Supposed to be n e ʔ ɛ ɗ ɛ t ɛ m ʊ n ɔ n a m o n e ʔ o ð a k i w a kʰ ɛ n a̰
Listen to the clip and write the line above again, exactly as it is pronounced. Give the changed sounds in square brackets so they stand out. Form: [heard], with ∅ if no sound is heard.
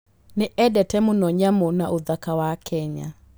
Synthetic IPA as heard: n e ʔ ɛ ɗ ɛ t ɛ m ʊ n ɔ [ɲ] a m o n [a] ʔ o ð a k [a] w a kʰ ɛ [ɲ] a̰